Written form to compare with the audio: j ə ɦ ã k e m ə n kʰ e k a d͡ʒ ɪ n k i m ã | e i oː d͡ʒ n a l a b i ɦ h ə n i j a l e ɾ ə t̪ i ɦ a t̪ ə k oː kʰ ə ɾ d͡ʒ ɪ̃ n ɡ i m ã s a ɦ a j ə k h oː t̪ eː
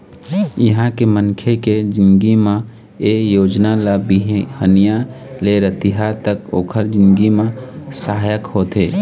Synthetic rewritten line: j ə ɦ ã k e m ə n kʰ e k e d͡ʒ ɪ n ɡ i m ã | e j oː d͡ʒ n a l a b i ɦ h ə n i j a l e ɾ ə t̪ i ɦ a t̪ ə k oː kʰ ə ɾ d͡ʒ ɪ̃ n ɡ i m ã s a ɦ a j ə k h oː t̪ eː